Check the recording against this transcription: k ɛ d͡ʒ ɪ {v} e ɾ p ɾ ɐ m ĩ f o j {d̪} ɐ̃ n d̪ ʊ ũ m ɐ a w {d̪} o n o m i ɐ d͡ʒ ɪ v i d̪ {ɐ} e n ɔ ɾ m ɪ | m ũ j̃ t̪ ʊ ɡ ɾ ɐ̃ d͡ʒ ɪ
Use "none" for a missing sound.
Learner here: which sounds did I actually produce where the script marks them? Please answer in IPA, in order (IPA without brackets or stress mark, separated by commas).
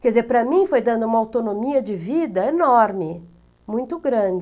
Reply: z, d̪, t̪, ɐ